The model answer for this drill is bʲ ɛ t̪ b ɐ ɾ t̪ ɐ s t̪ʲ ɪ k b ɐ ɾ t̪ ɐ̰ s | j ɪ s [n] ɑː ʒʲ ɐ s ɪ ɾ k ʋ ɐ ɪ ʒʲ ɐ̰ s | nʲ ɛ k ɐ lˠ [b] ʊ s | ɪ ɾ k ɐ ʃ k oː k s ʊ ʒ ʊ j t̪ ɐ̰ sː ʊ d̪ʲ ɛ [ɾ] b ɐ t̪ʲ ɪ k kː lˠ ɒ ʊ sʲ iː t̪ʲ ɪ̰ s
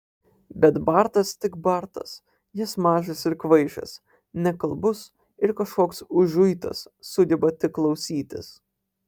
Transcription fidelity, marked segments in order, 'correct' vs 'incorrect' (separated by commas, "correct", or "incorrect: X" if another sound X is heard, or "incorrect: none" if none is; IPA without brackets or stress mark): incorrect: m, correct, incorrect: none